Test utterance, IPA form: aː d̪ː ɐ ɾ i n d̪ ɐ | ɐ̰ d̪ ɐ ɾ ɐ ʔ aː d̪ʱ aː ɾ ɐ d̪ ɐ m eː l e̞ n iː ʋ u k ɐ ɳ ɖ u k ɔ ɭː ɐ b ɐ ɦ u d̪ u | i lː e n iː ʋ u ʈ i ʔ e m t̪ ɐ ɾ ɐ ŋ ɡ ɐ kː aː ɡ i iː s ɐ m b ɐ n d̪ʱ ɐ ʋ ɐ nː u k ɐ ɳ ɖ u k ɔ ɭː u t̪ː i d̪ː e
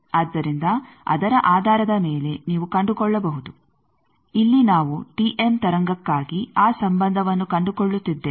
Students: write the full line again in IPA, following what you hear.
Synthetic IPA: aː d̪ː ɐ ɾ i n d̪ ɐ | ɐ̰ d̪ ɐ ɾ ɐ ʔ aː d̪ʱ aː ɾ ɐ d̪ ɐ m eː l e̞ n iː ʋ u k ɐ ɳ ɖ u k ɔ ɭː ɐ b ɐ ɦ u d̪ u | i lː i n aː ʋ u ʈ i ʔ e m t̪ ɐ ɾ ɐ ŋ ɡ ɐ kː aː ɡ i aː s ɐ m b ɐ n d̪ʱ ɐ ʋ ɐ nː u k ɐ ɳ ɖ u k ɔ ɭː u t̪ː i d̪ː e